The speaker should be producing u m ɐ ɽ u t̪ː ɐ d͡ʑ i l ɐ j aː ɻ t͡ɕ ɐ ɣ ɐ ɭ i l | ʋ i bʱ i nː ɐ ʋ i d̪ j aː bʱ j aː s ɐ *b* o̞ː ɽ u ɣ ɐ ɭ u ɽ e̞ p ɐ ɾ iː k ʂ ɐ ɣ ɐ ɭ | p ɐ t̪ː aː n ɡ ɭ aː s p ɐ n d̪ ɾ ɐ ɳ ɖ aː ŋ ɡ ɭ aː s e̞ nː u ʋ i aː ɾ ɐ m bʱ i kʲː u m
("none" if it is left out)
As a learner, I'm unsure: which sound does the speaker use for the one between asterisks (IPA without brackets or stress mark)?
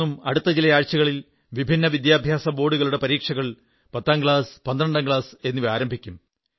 b